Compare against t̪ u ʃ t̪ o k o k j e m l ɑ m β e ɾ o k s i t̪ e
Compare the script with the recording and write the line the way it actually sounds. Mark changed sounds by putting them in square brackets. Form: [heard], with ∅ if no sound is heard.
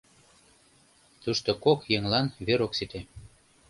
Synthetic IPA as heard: t̪ u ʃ t̪ o k o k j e [ŋ] l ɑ [n] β e ɾ o k s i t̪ e